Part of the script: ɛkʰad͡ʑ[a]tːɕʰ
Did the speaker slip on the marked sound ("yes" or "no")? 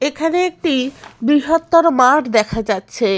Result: no